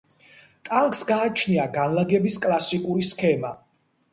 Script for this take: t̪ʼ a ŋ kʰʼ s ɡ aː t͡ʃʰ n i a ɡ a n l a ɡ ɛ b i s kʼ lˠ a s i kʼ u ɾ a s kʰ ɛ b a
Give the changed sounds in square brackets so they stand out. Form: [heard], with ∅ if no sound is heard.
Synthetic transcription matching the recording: t̪ʼ a ŋ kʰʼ s ɡ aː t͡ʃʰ n i a ɡ a n l a ɡ ɛ b i s kʼ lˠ a s i kʼ u ɾ [i] s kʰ ɛ [m] a